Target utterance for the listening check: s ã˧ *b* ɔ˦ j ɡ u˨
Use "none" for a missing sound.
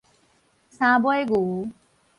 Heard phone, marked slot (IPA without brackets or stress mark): b